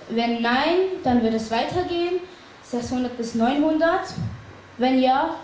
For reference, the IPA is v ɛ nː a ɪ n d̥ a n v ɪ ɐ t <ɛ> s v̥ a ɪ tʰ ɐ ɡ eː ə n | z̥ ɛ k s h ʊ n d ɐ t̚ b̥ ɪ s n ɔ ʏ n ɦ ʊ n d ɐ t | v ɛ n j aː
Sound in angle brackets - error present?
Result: no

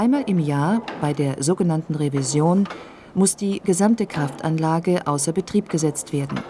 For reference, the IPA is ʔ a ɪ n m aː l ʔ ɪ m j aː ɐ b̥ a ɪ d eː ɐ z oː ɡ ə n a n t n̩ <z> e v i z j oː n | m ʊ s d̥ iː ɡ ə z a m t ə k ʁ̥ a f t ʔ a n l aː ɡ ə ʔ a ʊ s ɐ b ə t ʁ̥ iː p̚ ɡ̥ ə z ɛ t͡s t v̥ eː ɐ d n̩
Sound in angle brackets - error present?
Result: yes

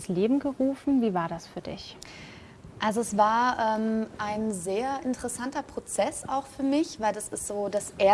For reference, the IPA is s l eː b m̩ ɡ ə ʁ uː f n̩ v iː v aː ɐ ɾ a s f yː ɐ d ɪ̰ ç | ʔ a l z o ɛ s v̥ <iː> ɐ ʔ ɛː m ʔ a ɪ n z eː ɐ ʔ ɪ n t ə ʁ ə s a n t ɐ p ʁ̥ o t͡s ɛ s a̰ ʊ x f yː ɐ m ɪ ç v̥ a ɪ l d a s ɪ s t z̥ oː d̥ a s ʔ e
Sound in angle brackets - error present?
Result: yes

